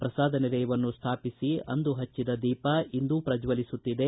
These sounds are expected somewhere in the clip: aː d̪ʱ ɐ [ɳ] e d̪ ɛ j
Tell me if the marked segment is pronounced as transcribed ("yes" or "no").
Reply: no